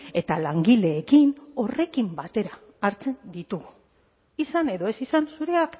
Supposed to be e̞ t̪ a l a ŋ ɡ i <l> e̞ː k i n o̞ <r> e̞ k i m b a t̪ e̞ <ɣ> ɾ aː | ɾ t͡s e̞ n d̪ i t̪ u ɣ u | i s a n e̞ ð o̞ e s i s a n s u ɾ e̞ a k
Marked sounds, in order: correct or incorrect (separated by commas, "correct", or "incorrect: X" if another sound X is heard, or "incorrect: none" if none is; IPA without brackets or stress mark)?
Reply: correct, correct, incorrect: none